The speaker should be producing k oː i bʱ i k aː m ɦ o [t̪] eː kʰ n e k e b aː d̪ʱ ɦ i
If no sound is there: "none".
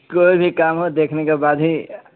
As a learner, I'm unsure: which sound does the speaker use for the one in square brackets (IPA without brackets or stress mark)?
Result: d̪